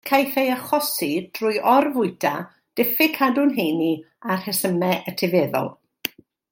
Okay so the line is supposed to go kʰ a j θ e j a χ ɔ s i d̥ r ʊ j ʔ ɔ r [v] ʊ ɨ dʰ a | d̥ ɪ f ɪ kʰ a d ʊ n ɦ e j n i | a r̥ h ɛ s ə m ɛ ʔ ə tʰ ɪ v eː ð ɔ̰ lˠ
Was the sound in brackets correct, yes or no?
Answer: yes